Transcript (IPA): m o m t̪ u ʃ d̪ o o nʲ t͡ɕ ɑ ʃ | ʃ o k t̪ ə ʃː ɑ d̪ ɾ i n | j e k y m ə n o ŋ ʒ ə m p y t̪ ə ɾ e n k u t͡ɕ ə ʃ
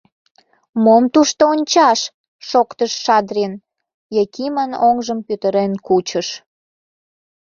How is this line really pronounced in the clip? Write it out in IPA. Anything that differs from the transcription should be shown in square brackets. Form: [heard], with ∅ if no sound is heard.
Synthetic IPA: m o m t̪ u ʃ [t̪] o o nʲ t͡ɕ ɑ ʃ | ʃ o k t̪ ə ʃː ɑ d̪ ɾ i n | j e k [i] m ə n o ŋ ʒ ə m p y t̪ ə ɾ e n k u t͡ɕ ə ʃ

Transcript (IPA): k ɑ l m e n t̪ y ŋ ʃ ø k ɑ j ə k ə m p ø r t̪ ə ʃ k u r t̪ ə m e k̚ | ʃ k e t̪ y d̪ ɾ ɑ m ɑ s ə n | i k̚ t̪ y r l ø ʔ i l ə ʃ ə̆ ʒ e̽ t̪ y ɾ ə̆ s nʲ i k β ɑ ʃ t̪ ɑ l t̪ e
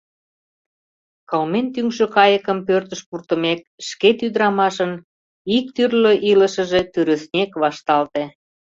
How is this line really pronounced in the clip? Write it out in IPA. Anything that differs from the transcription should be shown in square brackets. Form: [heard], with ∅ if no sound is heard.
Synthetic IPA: k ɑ l m e n t̪ y ŋ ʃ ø k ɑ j ə k ə m p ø r t̪ ə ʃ [p] u r t̪ ə m e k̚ | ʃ k e t̪ y d̪ ɾ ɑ m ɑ [ʃ] ə n | i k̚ t̪ y r l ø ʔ i l ə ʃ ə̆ ʒ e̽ t̪ y ɾ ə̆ s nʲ [e] k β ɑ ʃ t̪ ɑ l t̪ e

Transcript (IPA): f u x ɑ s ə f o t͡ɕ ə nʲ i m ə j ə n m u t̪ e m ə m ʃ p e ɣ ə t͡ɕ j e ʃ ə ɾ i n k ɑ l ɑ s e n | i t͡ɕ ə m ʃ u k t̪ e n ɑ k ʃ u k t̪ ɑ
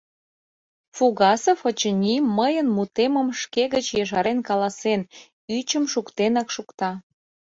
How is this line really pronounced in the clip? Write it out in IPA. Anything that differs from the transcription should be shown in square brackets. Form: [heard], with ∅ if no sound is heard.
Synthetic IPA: f u [ɣ] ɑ s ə f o t͡ɕ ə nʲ i m ə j ə n m u t̪ e m ə m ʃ [k] e ɣ ə t͡ɕ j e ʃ [ɑ] ɾ [e] n k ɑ l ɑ s e n | [y] t͡ɕ ə m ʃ u k t̪ e n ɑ k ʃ u k t̪ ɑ

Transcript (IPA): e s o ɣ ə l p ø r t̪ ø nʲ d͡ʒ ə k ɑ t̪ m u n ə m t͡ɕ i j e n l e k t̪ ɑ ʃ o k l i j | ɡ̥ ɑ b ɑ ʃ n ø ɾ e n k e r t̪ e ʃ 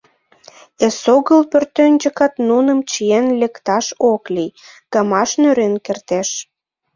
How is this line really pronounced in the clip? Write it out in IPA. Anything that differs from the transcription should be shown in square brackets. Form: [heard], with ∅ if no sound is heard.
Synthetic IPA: e s o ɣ ə l p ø r t̪ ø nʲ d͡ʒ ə k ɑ t̪ [n] u n ə m t͡ɕ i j e n l e k t̪ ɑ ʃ o k l i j | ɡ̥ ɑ [m] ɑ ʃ n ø ɾ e n k e r t̪ e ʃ

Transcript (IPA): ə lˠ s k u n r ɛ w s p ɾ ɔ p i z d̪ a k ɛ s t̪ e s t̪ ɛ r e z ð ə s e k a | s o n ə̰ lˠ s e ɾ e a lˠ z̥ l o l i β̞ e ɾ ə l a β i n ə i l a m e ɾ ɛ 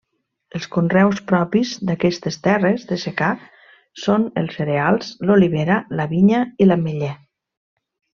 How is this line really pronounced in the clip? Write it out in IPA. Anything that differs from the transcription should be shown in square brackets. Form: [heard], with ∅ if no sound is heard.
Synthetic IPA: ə lˠ s k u n r ɛ w s p ɾ ɔ p i z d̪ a k ɛ s t̪ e s t̪ ɛ r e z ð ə s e k a | s o n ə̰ lˠ s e ɾ e a lˠ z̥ l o l i β̞ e ɾ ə l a β i [ɲ] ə i l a m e [ʎ] ɛ

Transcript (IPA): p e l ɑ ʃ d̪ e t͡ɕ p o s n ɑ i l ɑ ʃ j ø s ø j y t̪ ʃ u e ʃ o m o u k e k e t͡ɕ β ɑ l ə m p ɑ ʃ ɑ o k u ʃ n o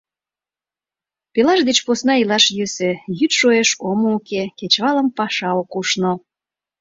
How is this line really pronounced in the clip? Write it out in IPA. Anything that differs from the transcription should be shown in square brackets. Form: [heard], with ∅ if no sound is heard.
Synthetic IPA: p e l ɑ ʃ d̪ e t͡ɕ p o s n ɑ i l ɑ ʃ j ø s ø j y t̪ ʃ [o] e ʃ o m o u k e k e t͡ɕ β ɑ l ə m p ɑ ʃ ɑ o k u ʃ n o

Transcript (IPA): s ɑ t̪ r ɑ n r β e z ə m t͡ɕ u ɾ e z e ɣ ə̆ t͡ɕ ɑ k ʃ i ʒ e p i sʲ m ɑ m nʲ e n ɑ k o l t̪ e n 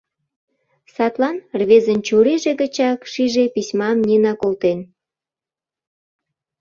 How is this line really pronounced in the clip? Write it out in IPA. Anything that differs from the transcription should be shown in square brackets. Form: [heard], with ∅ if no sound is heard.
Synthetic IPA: s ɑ t̪ [l] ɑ n r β e z ə [n] t͡ɕ u ɾ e [ʒ] e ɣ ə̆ t͡ɕ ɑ k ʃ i ʒ e p i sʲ m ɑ m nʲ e n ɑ k o l t̪ e n

